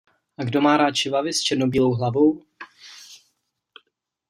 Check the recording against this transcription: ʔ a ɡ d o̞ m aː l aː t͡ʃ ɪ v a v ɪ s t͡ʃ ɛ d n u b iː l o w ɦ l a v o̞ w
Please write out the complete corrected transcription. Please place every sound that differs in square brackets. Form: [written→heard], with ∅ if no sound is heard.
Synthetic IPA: ʔ a ɡ d o̞ m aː [l→ɾ] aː t͡ʃ ɪ v a v ɪ s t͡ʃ ɛ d n [u→o] b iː l o w ɦ l a v o̞ w